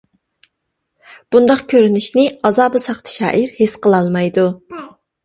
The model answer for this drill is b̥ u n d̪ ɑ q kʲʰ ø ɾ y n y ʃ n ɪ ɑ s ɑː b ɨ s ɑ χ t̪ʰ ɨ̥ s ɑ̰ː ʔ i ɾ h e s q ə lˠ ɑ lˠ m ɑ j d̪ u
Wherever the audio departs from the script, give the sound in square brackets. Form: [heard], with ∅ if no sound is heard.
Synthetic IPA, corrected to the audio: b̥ u n d̪ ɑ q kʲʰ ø ɾ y n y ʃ n ɪ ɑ [z] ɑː b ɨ s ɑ χ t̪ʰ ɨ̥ [ʃ] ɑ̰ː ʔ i ɾ h e s q ə lˠ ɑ lˠ m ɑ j d̪ u